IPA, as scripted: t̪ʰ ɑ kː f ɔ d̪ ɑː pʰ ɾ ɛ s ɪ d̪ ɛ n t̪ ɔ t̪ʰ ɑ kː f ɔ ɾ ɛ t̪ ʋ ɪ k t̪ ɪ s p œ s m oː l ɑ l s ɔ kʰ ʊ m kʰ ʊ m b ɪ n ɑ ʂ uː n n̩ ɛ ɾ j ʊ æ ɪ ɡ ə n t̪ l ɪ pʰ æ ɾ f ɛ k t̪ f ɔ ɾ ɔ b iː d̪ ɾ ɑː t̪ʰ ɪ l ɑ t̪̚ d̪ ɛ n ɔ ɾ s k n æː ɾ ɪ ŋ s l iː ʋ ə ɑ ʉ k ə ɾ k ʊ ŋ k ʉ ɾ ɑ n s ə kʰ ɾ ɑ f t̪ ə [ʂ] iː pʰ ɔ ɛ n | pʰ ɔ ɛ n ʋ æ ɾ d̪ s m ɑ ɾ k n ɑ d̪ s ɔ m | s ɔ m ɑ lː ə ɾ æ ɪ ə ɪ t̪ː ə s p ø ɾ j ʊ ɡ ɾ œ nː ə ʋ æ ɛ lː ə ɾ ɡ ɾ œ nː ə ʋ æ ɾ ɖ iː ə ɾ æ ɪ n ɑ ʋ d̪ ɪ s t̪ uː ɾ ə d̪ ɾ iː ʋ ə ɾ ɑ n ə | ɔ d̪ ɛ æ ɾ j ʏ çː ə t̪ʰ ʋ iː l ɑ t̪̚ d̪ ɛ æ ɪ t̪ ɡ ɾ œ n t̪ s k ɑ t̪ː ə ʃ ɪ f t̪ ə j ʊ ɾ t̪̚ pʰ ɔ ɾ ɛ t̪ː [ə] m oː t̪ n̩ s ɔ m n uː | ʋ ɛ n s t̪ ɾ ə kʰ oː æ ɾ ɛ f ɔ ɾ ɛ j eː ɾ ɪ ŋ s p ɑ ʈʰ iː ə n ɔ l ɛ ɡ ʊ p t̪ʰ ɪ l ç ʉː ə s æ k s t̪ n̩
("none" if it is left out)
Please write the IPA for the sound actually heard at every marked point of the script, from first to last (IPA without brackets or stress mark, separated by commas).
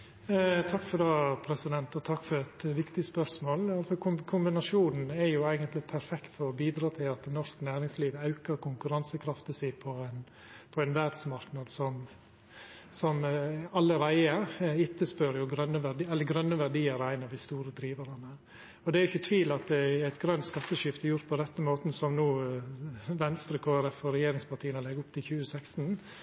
s, ə